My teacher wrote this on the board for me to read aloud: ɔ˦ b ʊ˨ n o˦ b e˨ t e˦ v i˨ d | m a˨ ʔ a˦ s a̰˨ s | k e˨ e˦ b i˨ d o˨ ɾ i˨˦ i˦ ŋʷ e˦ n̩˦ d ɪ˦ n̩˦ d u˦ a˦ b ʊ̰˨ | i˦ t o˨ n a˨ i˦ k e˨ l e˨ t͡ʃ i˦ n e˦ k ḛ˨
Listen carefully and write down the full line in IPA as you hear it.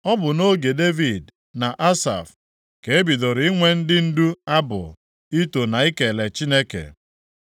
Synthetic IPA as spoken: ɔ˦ b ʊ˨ n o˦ ɡ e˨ d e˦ v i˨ d | n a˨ ʔ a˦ s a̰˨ f | k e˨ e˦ b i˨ d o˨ ɾ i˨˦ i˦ ŋʷ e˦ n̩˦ d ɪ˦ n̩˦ d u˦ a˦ b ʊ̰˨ | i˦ t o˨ n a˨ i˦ k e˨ l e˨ t͡ʃ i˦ n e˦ k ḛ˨